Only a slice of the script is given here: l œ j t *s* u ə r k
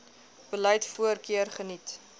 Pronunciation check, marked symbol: incorrect: f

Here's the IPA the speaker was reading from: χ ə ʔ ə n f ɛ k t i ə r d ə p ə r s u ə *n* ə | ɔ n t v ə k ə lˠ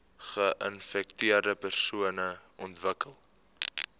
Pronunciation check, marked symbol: correct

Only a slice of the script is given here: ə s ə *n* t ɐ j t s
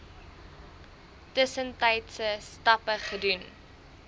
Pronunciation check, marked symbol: correct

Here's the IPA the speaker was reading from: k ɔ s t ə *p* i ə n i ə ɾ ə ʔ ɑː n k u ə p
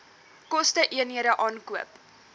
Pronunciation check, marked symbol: incorrect: ʔ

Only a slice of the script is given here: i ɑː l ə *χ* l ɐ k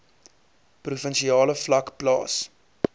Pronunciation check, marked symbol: incorrect: f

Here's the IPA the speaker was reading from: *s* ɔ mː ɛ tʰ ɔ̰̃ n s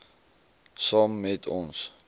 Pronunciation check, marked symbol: correct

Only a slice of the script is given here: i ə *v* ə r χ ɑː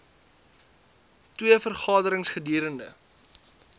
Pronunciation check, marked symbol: incorrect: f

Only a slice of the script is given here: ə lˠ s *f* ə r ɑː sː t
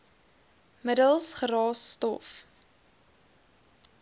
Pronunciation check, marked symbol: incorrect: χ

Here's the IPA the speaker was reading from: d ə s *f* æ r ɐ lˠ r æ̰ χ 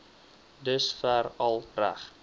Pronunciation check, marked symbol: correct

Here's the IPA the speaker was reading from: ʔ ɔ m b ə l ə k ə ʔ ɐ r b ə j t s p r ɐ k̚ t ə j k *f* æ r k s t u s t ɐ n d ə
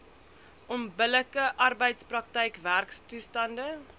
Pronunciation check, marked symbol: incorrect: v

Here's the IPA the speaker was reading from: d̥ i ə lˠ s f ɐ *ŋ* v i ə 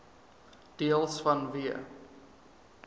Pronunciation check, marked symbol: incorrect: n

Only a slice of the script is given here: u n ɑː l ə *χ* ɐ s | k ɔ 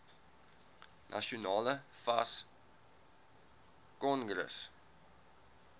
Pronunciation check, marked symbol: incorrect: f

